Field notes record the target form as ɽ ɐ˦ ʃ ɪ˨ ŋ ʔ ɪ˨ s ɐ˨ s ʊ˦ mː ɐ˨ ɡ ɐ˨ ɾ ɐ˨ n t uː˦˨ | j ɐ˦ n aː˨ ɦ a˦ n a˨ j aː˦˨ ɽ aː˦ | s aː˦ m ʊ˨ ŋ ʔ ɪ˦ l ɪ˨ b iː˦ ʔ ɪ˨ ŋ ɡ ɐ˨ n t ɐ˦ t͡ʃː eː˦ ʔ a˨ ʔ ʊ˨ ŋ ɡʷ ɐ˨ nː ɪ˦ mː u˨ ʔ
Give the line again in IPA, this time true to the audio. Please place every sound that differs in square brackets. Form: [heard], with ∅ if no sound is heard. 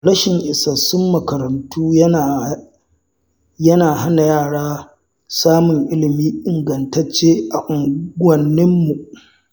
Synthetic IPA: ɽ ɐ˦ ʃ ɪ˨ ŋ ʔ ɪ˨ s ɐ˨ s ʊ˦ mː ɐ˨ [k] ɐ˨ ɾ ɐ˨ n t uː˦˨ | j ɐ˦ n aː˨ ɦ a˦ n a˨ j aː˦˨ ɽ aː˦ | s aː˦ m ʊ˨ ŋ ʔ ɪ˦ l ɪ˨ [m] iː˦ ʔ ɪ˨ ŋ ɡ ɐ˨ n t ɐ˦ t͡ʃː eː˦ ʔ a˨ ʔ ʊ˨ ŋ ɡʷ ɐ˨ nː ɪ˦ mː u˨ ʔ